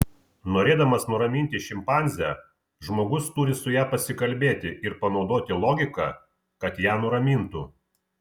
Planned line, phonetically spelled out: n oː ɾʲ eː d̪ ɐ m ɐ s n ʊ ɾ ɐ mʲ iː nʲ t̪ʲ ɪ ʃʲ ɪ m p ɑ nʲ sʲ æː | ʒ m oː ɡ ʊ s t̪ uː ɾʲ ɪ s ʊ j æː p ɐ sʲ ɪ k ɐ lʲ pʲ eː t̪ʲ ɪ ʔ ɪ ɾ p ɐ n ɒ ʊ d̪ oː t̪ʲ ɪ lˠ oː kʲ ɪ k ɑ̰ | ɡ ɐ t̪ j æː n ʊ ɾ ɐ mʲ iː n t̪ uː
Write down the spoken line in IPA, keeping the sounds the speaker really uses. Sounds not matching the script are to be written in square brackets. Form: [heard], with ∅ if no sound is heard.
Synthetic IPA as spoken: n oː ɾʲ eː d̪ ɐ m ɐ s n ʊ ɾ ɐ mʲ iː nʲ t̪ʲ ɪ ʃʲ ɪ m p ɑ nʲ [zʲ] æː | ʒ m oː ɡ ʊ s t̪ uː ɾʲ ɪ s ʊ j æː p ɐ sʲ ɪ k ɐ lʲ [bʲ] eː t̪ʲ ɪ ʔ ɪ ɾ p ɐ n ɒ ʊ d̪ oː t̪ʲ ɪ lˠ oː [ɡʲ] ɪ k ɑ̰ | [k] ɐ t̪ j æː n ʊ ɾ ɐ mʲ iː n t̪ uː

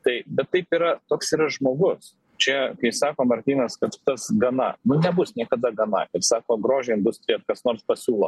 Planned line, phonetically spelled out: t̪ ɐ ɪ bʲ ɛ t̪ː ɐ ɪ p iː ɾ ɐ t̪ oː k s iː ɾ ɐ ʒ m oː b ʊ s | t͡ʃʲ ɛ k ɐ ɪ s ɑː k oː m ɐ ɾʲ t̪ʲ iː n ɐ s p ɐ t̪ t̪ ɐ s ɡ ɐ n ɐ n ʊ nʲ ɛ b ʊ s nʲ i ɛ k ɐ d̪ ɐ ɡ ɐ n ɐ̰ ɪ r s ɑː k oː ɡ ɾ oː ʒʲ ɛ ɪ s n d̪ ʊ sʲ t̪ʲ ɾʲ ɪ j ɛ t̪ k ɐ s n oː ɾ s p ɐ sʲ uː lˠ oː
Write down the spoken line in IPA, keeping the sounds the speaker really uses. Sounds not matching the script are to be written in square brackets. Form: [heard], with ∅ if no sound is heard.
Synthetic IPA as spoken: t̪ ɐ ɪ bʲ ɛ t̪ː ɐ ɪ p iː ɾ ɐ t̪ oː k s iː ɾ ɐ ʒ m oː [ɡ] ʊ s | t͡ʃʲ ɛ k ɐ ɪ s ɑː k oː m ɐ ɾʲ t̪ʲ iː n ɐ s [k] ɐ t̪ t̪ ɐ s ɡ ɐ n ɐ n ʊ nʲ ɛ b ʊ s nʲ i ɛ k ɐ d̪ ɐ ɡ ɐ n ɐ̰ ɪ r s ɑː k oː ɡ ɾ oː ʒʲ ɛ ɪ [∅] n d̪ ʊ sʲ t̪ʲ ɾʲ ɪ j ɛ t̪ k ɐ s n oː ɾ s p ɐ sʲ uː lˠ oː

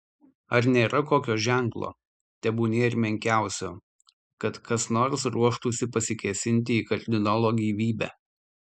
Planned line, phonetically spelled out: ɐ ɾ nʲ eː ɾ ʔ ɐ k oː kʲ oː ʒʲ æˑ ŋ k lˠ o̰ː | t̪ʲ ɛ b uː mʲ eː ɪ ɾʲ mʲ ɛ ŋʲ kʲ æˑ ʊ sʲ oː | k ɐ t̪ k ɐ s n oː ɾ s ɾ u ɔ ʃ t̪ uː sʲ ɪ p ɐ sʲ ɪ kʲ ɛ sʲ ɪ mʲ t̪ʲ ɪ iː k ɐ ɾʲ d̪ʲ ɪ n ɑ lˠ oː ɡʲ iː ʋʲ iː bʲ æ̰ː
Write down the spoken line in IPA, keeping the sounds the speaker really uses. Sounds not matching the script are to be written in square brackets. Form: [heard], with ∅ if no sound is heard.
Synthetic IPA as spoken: ɐ ɾ nʲ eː ɾ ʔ ɐ k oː kʲ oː ʒʲ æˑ ŋ k lˠ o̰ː | t̪ʲ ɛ b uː [nʲ] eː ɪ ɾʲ mʲ ɛ ŋʲ kʲ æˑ ʊ sʲ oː | k ɐ t̪ k ɐ s n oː ɾ s ɾ u ɔ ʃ t̪ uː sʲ ɪ p ɐ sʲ ɪ kʲ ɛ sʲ ɪ [nʲ] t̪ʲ ɪ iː k ɐ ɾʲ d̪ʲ ɪ n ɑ lˠ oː ɡʲ iː ʋʲ iː bʲ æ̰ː

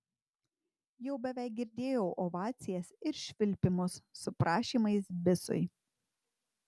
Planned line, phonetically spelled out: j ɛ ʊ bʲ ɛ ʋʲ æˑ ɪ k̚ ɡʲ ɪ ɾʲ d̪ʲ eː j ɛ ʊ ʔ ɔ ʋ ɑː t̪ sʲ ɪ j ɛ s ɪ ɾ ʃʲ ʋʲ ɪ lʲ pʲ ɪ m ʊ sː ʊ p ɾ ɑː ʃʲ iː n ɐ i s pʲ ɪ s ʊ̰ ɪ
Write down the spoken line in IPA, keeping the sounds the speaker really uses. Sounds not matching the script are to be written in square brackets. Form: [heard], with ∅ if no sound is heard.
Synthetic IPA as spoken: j ɛ ʊ bʲ ɛ ʋʲ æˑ ɪ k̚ ɡʲ ɪ ɾʲ d̪ʲ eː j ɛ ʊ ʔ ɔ ʋ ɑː t̪ sʲ ɪ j ɛ s ɪ ɾ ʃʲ ʋʲ ɪ lʲ pʲ ɪ m ʊ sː ʊ p ɾ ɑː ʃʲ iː [m] ɐ [ɪ] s [bʲ] ɪ s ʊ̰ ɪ

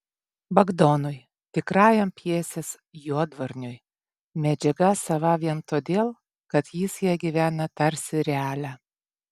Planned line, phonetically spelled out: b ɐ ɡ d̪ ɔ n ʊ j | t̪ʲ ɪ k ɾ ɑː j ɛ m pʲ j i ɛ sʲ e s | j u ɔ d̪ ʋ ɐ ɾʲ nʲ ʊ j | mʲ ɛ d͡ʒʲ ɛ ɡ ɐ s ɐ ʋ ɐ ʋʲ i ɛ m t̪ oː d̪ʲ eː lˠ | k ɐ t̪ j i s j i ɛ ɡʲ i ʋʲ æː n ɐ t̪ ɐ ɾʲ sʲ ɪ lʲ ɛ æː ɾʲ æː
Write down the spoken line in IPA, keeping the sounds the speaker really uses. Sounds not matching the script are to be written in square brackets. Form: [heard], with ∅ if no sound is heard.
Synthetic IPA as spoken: b ɐ ɡ d̪ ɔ n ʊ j | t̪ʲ ɪ k ɾ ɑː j ɛ m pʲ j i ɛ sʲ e s | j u ɔ d̪ ʋ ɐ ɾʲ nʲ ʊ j | mʲ ɛ d͡ʒʲ ɛ ɡ ɐ s ɐ ʋ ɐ ʋʲ i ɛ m t̪ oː d̪ʲ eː lˠ | k ɐ t̪ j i s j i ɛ ɡʲ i ʋʲ æː n ɐ t̪ ɐ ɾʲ sʲ ɪ [ɾʲ] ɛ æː [lʲ] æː

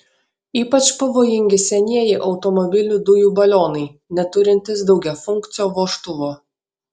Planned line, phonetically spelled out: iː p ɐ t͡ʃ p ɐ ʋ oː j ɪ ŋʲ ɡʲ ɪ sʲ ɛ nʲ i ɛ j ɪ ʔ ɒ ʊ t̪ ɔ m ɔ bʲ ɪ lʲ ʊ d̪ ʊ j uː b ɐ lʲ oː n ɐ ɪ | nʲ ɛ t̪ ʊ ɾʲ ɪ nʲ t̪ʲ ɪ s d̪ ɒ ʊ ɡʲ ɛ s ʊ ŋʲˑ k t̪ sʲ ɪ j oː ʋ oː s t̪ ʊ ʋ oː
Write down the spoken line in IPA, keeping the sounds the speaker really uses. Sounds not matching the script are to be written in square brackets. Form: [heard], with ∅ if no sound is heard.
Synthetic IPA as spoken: iː p ɐ t͡ʃ p ɐ ʋ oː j ɪ ŋʲ ɡʲ ɪ sʲ ɛ nʲ i ɛ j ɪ ʔ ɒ ʊ t̪ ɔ m ɔ bʲ ɪ lʲ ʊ d̪ ʊ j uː b ɐ lʲ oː n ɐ ɪ | nʲ ɛ t̪ ʊ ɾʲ ɪ nʲ t̪ʲ ɪ s d̪ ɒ ʊ ɡʲ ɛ [f] ʊ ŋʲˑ k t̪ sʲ ɪ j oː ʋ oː [ʃ] t̪ ʊ ʋ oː

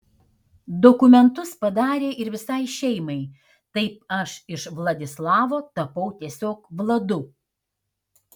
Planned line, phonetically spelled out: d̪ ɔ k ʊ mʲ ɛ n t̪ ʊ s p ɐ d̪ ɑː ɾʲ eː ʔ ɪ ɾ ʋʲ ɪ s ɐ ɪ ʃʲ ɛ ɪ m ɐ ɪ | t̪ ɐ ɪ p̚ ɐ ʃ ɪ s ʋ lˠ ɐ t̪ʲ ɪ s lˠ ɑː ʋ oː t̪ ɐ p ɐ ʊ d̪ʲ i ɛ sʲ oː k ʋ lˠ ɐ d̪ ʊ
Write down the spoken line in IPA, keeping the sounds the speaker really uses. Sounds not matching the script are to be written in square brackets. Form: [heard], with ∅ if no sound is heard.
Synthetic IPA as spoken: d̪ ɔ k ʊ mʲ ɛ n t̪ ʊ s p ɐ d̪ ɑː ɾʲ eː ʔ ɪ ɾ ʋʲ ɪ s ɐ ɪ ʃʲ ɛ ɪ m ɐ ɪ | t̪ ɐ ɪ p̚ ɐ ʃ ɪ [ʃ] ʋ lˠ ɐ [d̪ʲ] ɪ s lˠ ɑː ʋ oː t̪ ɐ p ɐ ʊ [t̪ʲ] i ɛ sʲ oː k ʋ lˠ ɐ d̪ ʊ

